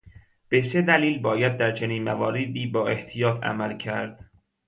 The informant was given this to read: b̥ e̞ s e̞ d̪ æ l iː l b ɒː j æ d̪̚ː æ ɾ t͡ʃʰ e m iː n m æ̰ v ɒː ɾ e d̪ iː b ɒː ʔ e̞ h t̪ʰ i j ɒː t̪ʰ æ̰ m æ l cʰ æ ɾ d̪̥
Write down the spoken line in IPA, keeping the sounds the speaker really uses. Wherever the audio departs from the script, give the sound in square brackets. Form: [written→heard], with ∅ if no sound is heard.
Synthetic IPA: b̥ e̞ s e̞ d̪ æ l iː l b ɒː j æ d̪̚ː æ ɾ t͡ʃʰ e [m→n] iː n m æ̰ v ɒː ɾ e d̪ iː b ɒː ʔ e̞ h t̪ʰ i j ɒː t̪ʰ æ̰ m æ l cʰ æ ɾ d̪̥